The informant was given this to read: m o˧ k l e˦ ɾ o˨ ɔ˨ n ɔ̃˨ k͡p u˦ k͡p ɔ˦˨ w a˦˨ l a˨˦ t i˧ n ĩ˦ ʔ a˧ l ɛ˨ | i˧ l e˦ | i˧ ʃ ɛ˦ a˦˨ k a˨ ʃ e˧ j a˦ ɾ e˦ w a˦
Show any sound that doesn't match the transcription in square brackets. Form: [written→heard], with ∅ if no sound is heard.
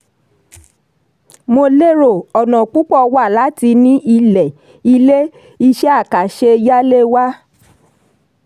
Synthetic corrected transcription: m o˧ [k→∅] l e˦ ɾ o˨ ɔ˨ n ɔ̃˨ k͡p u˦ k͡p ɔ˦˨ w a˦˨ l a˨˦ t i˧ n ĩ˦ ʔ [a˧→i˧] l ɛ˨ | i˧ l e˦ | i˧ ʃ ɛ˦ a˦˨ k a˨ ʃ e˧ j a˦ [ɾ→l] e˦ w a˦